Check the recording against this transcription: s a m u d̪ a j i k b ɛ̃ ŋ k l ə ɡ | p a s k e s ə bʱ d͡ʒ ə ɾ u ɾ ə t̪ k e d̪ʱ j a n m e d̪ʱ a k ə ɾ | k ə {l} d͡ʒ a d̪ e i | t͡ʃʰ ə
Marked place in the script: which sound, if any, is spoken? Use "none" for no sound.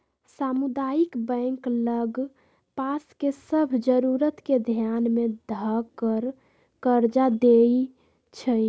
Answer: ɾ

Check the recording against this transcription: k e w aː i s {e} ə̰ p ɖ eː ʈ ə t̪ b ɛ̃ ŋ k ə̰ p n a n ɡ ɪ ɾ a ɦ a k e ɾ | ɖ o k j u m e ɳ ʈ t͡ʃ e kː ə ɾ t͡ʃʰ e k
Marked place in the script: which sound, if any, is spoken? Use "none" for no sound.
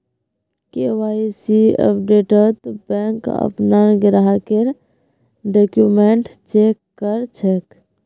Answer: i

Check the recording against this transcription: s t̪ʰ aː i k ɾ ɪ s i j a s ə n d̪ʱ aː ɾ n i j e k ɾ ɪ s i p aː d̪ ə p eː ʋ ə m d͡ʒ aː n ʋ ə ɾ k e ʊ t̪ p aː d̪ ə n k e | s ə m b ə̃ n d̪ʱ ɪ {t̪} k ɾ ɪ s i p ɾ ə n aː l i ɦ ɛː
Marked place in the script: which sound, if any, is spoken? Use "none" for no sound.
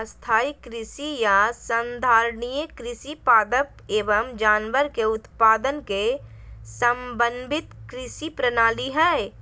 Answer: t̪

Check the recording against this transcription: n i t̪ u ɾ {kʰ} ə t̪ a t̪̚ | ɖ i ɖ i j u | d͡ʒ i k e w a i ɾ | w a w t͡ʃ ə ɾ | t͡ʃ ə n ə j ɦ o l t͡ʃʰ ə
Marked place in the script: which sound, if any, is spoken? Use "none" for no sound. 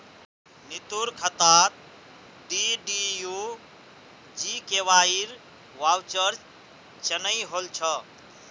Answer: kʰ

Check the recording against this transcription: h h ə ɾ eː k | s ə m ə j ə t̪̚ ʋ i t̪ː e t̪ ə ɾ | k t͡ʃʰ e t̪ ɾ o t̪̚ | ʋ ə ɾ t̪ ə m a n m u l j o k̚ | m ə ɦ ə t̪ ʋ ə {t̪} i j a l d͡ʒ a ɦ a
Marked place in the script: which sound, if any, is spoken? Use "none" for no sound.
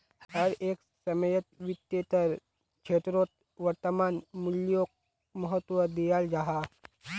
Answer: d̪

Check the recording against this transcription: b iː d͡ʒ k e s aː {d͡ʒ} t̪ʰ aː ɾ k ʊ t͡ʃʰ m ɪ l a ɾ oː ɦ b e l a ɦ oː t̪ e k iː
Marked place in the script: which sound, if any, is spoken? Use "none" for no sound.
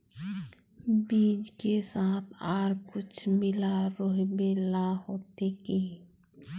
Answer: none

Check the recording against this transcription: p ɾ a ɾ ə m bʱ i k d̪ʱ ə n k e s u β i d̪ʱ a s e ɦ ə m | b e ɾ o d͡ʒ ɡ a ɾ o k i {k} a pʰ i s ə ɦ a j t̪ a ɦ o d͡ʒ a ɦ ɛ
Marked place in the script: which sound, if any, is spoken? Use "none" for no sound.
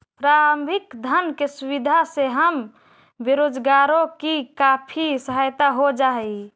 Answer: k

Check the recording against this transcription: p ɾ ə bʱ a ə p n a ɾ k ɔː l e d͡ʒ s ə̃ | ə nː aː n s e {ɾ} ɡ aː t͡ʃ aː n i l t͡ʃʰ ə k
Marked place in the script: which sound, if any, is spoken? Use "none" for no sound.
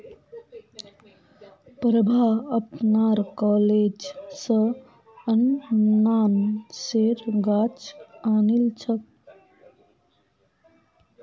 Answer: ɾ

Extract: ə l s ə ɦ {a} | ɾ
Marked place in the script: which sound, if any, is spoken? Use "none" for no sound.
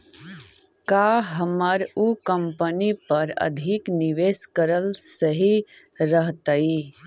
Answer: i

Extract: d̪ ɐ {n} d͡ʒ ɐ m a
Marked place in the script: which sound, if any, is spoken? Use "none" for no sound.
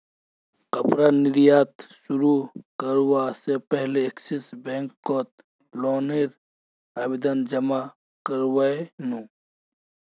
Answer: n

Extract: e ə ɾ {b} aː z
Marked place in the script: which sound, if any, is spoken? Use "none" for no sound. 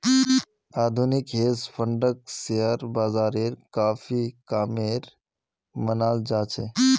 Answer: b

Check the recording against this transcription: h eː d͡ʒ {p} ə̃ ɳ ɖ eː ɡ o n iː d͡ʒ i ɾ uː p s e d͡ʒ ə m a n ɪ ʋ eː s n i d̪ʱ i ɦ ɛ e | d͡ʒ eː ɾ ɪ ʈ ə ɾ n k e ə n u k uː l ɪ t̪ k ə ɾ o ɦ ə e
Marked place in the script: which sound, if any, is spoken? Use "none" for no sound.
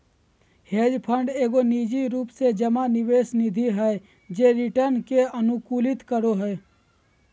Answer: pʰ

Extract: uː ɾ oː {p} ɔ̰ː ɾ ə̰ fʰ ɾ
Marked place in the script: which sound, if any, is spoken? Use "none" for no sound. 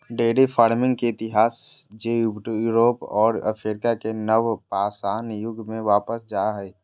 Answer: p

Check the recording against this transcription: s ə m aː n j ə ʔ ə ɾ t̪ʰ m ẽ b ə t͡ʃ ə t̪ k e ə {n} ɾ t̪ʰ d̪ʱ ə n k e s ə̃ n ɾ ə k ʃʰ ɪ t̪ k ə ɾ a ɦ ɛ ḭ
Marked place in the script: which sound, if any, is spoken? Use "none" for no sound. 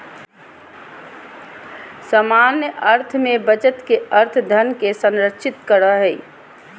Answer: none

